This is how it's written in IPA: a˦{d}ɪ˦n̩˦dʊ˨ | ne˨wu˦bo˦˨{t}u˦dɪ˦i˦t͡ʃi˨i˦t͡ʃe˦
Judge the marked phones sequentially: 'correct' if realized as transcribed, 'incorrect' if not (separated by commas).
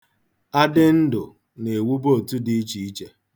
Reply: correct, correct